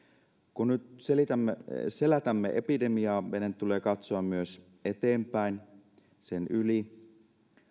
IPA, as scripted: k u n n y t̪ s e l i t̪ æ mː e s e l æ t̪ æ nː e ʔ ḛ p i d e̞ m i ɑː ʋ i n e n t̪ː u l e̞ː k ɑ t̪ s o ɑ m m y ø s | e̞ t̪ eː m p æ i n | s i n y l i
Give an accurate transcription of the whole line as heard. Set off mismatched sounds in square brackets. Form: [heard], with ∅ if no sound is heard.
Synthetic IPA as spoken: k u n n y t̪ s e l i t̪ æ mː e s e l æ t̪ æ [mː] e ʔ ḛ p i d e̞ m i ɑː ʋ [e] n e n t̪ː u l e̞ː k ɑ t̪ s o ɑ m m y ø s | e̞ t̪ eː m p æ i n | s [e] n y l i